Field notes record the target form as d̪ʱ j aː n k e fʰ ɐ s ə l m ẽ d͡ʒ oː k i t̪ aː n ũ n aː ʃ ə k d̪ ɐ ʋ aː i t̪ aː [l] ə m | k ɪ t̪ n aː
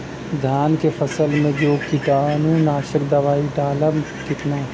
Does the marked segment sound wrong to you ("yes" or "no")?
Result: no